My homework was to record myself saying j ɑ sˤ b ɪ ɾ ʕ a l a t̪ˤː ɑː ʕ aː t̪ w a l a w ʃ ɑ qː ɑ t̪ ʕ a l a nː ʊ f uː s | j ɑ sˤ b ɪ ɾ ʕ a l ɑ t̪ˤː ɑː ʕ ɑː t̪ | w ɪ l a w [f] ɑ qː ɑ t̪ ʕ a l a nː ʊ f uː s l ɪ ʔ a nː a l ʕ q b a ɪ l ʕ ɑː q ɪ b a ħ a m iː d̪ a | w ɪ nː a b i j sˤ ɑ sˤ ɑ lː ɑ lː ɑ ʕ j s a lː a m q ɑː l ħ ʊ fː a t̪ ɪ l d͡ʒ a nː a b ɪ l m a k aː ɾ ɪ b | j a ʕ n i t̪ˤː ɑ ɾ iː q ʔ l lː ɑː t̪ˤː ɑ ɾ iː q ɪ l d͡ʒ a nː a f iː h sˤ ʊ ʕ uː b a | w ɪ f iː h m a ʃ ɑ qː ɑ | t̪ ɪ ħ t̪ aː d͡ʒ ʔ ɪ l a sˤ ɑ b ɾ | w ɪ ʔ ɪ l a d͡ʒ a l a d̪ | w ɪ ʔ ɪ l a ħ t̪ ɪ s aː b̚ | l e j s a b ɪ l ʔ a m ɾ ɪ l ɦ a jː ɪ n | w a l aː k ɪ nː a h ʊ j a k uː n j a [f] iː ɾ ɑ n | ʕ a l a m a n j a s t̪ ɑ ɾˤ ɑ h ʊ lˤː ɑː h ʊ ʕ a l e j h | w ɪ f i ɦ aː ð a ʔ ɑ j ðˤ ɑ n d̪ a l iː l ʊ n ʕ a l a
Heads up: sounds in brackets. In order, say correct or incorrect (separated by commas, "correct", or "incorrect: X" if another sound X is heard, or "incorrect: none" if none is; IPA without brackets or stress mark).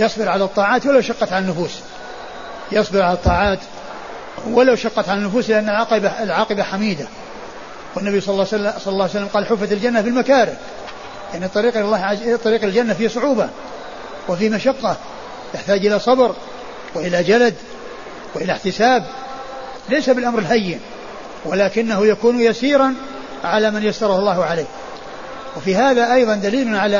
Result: incorrect: ʃ, incorrect: s